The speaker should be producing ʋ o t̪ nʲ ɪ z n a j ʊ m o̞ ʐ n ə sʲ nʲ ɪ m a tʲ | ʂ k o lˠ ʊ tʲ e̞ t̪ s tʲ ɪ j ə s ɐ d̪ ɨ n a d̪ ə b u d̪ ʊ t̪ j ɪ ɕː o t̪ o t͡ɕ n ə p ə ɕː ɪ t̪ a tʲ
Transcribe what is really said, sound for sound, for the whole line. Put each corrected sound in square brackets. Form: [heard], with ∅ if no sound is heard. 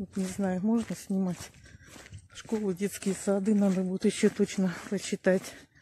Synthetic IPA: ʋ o t̪ nʲ ɪ z n a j ʊ m o̞ ʐ n ə sʲ nʲ ɪ m a tʲ | ʂ k o lˠ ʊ [dʲ] e̞ t̪ s [kʲ] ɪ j ə s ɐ d̪ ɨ n a d̪ ə b u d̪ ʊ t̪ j ɪ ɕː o t̪ o t͡ɕ n ə p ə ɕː ɪ t̪ a tʲ